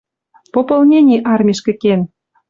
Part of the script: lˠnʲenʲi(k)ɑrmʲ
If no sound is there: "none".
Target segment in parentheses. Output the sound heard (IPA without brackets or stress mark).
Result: ʔ